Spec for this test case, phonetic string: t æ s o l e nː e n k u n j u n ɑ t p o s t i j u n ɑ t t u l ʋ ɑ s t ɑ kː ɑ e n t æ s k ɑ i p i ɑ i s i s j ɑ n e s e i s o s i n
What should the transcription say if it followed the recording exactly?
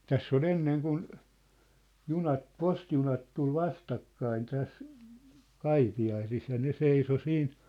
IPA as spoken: t æ sː o l e nː e ŋ k u n j u n ɑ t p o s t i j u n ɑ t t u l ʋ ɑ s t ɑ kː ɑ i n t æ s k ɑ i p i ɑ i s i s j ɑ n e s e i s o s iː n